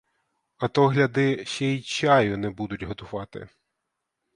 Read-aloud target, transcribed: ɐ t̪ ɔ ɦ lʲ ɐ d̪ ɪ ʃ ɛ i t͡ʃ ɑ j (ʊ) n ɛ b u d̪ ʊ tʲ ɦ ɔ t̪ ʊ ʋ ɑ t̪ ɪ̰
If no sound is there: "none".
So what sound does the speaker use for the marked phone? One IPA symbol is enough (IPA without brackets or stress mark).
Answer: ʊ